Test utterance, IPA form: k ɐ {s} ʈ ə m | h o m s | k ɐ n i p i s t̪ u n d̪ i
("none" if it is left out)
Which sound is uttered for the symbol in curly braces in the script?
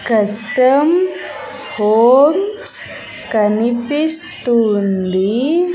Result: s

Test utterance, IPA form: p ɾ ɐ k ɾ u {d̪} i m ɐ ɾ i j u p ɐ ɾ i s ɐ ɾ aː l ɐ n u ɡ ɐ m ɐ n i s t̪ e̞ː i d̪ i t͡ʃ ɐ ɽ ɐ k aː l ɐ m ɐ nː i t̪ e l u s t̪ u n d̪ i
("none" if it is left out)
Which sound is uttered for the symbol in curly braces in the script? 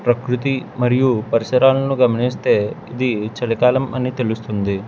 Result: t̪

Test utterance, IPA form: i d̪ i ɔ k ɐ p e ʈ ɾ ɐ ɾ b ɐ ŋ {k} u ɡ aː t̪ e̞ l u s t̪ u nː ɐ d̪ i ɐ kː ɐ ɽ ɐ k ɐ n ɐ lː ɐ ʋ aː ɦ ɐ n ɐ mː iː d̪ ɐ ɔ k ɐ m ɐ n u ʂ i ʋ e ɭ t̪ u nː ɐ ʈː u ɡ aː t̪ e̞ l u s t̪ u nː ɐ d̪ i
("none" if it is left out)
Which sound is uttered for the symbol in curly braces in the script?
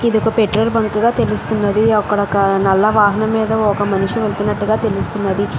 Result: k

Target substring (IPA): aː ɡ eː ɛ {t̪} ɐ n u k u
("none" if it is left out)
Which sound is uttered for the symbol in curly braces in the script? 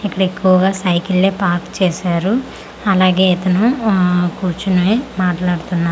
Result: t̪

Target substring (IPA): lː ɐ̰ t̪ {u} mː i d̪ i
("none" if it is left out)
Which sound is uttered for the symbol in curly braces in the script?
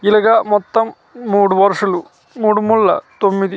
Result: o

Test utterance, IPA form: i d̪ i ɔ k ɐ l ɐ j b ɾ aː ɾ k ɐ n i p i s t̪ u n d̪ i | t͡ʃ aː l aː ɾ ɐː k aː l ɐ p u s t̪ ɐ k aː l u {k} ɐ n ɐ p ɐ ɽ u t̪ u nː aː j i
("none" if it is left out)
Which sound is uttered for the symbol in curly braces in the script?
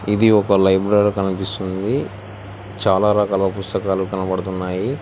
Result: k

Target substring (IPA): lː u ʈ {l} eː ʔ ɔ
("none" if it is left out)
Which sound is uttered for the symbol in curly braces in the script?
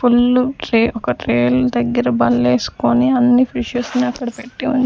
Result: ɾ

